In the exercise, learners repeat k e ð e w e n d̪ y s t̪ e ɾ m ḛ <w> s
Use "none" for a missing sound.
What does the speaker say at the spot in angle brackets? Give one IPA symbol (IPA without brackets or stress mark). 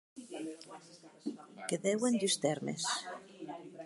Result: none